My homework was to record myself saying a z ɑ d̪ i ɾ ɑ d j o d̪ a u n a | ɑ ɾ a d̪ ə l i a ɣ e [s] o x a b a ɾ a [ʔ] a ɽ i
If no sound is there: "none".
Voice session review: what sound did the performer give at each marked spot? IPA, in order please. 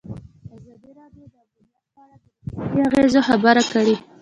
z, k

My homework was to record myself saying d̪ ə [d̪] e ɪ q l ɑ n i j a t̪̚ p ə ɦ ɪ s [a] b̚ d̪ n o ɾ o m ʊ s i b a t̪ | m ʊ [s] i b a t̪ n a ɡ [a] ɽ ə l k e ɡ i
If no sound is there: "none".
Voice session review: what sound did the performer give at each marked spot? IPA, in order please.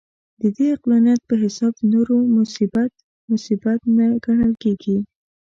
d̪, ɑ, s, a

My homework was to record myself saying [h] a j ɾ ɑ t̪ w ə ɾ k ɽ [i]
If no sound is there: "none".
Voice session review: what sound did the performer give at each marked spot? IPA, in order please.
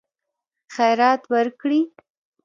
x, i

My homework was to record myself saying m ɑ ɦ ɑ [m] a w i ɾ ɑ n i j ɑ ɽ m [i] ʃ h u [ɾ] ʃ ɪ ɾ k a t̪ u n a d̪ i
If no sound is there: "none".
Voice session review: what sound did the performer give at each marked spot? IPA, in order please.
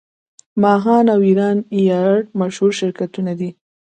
n, a, ɾ

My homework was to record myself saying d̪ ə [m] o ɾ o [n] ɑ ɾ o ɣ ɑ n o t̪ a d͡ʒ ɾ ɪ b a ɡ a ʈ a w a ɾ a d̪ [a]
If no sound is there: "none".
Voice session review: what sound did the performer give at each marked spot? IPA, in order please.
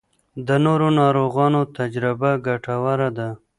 n, n, a

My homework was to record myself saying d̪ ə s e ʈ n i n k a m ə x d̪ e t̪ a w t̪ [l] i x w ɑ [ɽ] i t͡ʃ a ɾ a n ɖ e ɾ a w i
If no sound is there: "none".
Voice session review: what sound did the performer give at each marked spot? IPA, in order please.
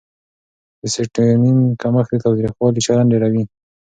ɾ, l

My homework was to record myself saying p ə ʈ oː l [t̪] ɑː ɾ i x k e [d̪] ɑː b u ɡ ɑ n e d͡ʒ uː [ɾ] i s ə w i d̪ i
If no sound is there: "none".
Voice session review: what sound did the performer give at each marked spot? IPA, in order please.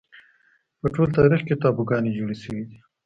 t̪, t̪, ɽ

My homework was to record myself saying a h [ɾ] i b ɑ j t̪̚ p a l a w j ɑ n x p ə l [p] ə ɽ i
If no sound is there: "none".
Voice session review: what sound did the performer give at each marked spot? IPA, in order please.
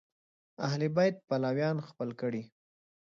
l, k

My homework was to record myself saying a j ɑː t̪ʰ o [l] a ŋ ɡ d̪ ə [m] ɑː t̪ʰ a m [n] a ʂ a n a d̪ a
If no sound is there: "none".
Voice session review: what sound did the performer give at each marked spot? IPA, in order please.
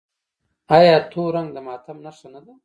ɾ, m, n

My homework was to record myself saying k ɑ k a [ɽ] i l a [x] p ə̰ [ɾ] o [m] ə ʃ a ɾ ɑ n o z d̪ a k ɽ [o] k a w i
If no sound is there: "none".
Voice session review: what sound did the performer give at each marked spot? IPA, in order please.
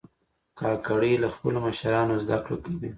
ɽ, x, l, m, o

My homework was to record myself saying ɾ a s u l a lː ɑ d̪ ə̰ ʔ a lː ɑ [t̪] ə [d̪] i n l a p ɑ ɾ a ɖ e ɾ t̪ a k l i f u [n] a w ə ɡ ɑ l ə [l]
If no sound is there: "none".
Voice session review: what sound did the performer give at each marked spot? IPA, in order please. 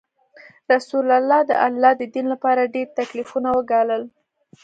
d̪, d̪, n, l

